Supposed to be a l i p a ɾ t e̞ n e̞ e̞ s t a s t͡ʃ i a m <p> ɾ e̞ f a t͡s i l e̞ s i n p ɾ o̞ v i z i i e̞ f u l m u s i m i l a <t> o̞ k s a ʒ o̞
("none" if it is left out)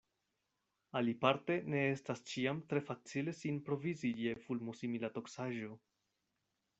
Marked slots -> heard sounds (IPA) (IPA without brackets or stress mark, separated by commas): t, t